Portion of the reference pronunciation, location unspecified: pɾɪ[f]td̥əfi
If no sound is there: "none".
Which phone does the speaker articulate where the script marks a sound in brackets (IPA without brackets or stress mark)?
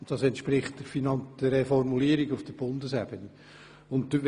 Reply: χ